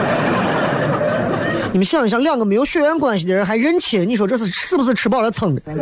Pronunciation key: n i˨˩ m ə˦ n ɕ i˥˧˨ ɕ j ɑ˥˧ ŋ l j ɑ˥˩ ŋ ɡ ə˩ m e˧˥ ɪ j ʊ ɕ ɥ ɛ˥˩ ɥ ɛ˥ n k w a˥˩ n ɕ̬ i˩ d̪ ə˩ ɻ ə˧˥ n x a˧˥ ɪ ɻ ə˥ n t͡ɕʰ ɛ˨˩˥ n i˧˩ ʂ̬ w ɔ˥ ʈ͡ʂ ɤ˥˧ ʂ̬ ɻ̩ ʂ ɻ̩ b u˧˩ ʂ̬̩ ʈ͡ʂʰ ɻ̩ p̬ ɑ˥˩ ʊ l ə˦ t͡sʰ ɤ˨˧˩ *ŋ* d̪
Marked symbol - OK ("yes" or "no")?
yes